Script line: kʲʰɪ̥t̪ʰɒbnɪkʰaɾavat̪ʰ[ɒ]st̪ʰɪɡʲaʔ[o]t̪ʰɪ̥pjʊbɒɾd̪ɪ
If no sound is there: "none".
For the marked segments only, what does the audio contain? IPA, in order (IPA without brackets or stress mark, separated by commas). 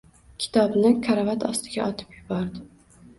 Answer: ɒ, ɒ